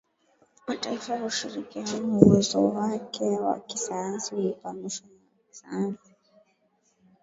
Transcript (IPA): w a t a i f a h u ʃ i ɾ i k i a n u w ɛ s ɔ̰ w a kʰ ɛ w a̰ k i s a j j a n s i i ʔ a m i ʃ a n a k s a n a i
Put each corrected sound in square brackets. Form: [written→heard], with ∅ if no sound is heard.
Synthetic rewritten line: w a t a i f a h u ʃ i ɾ i k i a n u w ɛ [s→z] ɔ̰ w a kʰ ɛ w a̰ k i s a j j a n s i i [ʔ→p] a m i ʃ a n a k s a n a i